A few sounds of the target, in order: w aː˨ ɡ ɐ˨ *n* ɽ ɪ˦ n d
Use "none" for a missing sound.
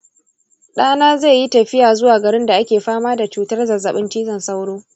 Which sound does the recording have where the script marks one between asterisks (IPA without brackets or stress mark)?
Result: none